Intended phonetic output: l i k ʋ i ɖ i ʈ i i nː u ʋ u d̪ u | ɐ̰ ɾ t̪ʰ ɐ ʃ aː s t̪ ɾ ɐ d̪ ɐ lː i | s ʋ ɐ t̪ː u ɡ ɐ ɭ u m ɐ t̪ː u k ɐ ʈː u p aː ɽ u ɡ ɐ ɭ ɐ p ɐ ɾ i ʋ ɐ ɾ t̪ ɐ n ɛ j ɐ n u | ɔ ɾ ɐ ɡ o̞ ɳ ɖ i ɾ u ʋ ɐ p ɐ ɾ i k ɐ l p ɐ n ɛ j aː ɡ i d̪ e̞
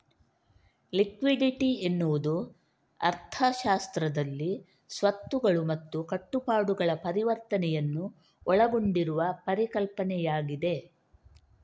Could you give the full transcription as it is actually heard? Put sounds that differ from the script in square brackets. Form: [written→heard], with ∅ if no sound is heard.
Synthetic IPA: l i k ʋ i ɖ i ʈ i [i→e] nː u ʋ u d̪ u | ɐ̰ ɾ t̪ʰ ɐ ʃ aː s t̪ ɾ ɐ d̪ ɐ lː i | s ʋ ɐ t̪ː u ɡ ɐ ɭ u m ɐ t̪ː u k ɐ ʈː u p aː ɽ u ɡ ɐ ɭ ɐ p ɐ ɾ i ʋ ɐ ɾ t̪ ɐ n ɛ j ɐ [n→nː] u | ɔ [ɾ→ɭ] ɐ ɡ o̞ ɳ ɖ i ɾ u ʋ ɐ p ɐ ɾ i k ɐ l p ɐ n ɛ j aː ɡ i d̪ e̞